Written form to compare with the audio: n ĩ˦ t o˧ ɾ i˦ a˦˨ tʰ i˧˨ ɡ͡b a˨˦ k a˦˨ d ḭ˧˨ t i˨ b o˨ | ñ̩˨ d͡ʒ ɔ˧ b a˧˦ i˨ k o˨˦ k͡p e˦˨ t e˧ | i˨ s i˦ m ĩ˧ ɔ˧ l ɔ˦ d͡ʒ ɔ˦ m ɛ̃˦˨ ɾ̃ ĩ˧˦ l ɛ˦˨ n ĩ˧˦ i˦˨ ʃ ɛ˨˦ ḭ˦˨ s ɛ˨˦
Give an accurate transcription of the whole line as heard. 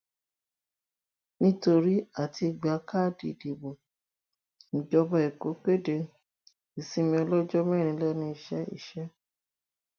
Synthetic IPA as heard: n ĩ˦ t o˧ ɾ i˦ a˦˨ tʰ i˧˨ ɡ͡b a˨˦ k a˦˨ d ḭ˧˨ d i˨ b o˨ | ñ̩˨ d͡ʒ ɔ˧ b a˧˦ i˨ k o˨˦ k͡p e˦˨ d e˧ | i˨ s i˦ m ĩ˧ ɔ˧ l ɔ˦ d͡ʒ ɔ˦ m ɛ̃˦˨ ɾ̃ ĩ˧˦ l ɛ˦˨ n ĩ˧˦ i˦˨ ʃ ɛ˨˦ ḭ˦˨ ʃ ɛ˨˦